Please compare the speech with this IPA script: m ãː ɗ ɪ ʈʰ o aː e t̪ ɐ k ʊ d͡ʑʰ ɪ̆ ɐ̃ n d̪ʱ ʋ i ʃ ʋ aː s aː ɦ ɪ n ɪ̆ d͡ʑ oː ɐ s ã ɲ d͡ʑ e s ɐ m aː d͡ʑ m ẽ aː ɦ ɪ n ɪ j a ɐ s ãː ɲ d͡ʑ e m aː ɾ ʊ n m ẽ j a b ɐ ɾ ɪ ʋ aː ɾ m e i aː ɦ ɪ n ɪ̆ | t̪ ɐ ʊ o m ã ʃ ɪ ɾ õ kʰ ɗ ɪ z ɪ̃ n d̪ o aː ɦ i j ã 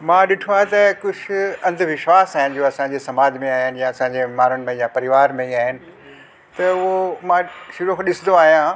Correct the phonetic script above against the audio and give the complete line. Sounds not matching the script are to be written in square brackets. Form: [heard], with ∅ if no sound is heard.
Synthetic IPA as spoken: m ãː ɗ ɪ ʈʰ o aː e t̪ ɐ k ʊ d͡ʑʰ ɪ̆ ɐ̃ n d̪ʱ ʋ [ɪ] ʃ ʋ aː s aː ɦ ɪ n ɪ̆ d͡ʑ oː ɐ s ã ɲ d͡ʑ e s ɐ m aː d͡ʑ m ẽ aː ɦ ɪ n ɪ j a ɐ s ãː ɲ d͡ʑ e m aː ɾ ʊ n m ẽ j a [p] ɐ ɾ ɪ ʋ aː ɾ m [ẽ] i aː ɦ ɪ n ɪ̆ | t̪ ɐ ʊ o m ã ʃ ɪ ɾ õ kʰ ɗ ɪ [s] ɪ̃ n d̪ o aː ɦ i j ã